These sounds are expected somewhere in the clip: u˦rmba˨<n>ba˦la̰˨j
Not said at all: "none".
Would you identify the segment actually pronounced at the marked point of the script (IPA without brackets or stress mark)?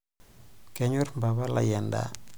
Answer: none